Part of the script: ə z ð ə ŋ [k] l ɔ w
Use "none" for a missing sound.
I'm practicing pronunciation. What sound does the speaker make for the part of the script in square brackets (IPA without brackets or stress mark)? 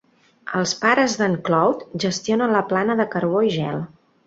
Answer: k